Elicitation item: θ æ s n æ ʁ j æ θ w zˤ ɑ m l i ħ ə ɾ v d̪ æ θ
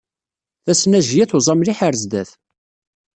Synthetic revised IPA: θ æ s n æ ʒ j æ θ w zˤ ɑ m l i ħ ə ɾ z d̪ æ θ